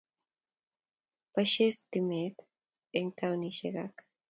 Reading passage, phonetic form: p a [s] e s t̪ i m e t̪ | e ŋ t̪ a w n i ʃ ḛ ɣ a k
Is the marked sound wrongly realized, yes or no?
yes